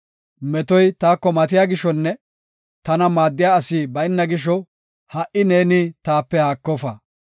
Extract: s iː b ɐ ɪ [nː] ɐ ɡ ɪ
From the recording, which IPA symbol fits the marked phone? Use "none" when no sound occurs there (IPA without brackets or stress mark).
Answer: nː